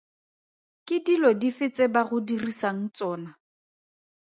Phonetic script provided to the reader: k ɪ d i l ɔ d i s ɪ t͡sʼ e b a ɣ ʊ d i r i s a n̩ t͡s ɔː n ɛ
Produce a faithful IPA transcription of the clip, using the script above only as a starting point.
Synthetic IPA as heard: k ɪ d i l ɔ d i f ɪ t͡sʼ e b a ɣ ʊ d i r i s a ŋ̩ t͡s ɔː n a